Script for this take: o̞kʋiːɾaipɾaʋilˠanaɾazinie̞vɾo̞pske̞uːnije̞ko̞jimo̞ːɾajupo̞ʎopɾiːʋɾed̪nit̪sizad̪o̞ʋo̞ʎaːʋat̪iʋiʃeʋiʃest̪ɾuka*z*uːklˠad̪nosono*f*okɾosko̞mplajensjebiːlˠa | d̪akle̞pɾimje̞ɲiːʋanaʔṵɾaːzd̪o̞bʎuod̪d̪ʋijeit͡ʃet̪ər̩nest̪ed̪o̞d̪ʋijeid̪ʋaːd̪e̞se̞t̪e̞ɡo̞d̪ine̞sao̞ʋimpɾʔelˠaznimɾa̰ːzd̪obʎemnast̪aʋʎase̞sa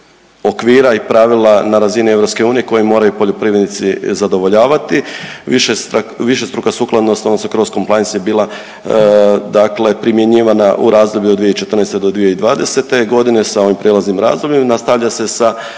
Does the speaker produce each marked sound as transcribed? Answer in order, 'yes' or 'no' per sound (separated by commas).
no, no